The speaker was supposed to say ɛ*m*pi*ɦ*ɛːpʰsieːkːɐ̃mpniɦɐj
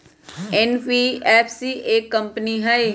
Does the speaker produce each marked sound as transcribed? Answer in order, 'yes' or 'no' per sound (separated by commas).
no, no